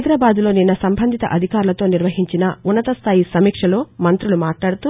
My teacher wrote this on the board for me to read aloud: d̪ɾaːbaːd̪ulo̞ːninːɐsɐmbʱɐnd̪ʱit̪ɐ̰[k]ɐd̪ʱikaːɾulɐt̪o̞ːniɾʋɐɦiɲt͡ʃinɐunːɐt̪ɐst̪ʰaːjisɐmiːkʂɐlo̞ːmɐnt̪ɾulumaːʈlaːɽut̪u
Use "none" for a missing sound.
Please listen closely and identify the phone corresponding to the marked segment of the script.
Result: ʔ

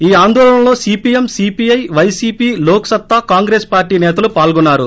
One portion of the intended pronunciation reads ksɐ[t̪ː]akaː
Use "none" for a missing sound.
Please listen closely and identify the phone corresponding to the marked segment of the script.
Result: t̪ː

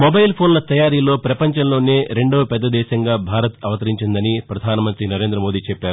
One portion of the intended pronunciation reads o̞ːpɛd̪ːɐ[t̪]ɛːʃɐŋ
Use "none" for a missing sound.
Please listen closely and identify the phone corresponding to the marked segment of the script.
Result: d̪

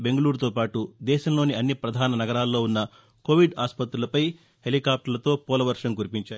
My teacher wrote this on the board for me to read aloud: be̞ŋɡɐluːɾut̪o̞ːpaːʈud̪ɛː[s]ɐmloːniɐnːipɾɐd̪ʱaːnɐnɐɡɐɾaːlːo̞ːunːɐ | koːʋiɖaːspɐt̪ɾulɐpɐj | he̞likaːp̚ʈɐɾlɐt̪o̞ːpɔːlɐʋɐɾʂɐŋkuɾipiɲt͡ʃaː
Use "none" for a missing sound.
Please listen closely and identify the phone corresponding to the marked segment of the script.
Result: ʃ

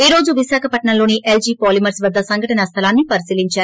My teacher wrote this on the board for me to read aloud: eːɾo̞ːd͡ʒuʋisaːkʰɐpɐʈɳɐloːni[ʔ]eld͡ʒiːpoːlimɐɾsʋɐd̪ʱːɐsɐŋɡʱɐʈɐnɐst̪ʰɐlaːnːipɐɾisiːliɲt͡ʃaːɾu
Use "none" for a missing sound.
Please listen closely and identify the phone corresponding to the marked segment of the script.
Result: ʔ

